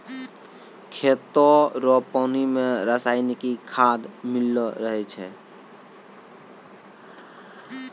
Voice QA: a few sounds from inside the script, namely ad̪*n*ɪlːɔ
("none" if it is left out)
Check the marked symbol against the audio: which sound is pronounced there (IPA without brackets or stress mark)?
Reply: m